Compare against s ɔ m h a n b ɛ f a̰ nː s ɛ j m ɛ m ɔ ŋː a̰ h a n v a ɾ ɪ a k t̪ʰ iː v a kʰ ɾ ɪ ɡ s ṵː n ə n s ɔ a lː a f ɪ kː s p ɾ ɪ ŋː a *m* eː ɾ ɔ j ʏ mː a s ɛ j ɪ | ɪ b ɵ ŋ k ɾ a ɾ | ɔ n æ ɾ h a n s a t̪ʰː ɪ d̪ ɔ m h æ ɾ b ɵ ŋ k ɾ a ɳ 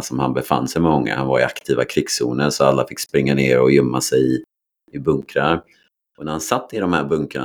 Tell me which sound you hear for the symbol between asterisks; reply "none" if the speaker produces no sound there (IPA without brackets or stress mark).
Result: n